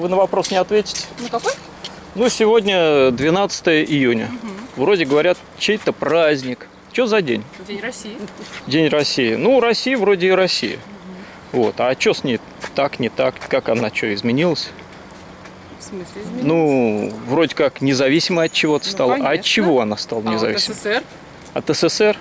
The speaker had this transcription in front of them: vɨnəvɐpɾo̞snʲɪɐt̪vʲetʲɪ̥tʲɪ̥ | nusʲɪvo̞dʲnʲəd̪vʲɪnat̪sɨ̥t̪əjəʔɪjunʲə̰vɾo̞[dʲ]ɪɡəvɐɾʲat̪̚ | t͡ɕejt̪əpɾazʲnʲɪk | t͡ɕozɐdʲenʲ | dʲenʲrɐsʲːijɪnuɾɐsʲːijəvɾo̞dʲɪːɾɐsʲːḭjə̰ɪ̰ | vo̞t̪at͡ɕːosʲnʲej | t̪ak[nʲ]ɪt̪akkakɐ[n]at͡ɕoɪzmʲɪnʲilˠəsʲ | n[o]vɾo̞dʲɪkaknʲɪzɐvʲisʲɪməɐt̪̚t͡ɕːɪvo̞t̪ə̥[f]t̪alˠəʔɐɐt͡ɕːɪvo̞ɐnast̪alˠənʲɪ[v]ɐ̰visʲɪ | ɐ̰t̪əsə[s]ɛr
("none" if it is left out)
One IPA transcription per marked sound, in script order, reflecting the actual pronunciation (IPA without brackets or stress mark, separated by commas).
dʲ, nʲ, n, u, s, z, s